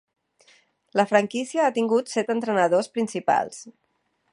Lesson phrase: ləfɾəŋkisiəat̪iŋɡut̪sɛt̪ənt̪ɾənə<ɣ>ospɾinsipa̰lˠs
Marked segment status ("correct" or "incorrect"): incorrect